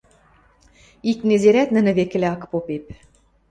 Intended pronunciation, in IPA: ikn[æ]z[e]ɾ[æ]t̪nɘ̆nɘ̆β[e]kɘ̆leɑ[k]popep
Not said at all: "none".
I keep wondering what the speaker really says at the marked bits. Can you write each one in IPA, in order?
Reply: e, e, æ, e, k

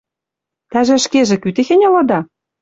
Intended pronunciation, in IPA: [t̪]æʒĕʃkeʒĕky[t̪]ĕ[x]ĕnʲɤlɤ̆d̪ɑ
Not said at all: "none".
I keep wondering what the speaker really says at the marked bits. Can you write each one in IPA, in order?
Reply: t̪, t̪, x

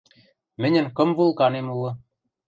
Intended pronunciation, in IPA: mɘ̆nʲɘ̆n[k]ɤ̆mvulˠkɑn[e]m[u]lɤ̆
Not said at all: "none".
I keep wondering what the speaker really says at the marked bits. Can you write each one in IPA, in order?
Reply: k, e, u

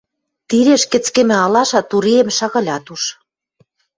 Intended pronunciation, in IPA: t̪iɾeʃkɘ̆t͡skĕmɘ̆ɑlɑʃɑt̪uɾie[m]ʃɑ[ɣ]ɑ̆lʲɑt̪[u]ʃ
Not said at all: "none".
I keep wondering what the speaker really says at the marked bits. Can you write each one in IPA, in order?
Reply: m, ɣ, u

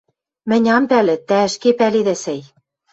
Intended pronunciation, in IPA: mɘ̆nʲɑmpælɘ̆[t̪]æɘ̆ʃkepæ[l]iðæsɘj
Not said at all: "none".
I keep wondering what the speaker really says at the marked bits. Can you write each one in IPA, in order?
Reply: t̪, l

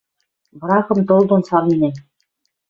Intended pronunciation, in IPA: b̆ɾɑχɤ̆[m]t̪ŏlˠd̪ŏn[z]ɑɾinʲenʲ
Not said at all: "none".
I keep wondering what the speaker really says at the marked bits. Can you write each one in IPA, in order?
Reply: m, s

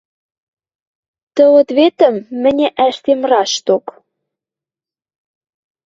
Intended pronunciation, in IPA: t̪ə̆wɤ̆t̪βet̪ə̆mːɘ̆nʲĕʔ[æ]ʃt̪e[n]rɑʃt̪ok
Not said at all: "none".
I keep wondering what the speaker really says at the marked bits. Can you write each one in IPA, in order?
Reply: æ, m

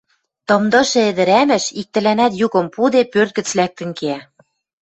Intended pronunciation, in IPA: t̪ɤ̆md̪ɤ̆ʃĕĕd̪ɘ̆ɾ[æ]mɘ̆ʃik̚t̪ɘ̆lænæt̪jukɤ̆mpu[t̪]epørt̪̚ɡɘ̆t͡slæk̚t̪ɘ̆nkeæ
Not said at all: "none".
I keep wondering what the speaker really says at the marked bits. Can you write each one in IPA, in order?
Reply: æ, d̪

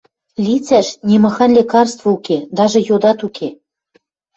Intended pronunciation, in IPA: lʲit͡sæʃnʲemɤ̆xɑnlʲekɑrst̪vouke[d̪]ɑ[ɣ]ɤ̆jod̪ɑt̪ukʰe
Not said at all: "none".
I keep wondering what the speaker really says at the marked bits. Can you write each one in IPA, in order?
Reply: d̪, ʒ

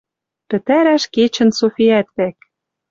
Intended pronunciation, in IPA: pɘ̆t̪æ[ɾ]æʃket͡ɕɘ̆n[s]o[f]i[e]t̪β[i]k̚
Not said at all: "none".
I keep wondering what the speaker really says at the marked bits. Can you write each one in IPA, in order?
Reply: ɾ, s, f, æ, æ

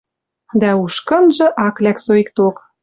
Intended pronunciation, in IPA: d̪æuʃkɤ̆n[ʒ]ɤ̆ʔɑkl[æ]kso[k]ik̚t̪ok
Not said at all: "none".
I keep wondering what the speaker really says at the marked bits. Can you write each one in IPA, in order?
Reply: ʒ, æ, none

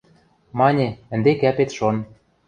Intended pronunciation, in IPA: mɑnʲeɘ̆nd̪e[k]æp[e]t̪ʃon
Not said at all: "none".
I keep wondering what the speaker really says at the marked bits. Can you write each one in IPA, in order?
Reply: k, e

